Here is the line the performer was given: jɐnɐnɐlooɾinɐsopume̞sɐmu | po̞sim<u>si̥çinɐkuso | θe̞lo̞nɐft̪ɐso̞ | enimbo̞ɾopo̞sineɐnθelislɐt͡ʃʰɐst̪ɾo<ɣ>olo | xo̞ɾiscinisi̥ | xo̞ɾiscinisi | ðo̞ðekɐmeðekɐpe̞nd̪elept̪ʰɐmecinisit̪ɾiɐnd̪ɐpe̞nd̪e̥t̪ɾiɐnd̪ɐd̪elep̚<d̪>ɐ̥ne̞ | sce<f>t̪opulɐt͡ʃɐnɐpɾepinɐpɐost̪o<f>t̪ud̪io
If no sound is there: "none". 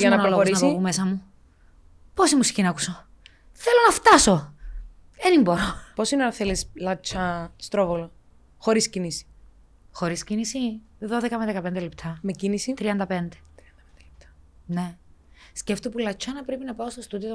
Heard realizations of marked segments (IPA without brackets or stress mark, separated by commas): u, v, t̪, f, s